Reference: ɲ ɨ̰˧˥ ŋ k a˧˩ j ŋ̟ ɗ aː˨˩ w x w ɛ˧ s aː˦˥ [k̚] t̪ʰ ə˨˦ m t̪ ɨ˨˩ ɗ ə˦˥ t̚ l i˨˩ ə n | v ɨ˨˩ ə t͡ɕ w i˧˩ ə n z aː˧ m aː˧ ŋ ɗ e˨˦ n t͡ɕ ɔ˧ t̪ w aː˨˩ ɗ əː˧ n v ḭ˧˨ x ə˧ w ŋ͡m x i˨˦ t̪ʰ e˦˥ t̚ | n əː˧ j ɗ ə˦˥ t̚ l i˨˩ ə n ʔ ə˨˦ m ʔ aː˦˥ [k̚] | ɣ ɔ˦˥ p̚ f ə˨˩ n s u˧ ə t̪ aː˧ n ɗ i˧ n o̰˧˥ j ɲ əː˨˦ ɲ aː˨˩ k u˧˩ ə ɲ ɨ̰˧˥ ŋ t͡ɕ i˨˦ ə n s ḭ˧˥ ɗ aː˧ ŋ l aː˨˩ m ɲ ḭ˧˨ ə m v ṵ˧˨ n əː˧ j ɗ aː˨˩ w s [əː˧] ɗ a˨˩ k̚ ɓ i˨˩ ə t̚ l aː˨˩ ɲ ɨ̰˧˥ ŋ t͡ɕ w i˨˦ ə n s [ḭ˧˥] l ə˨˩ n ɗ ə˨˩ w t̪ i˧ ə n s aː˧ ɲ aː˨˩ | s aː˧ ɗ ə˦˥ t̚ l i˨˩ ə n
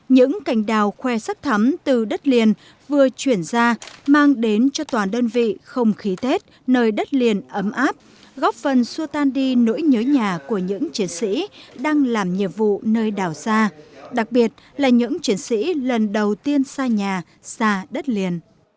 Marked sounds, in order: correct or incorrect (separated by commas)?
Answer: correct, incorrect, incorrect, correct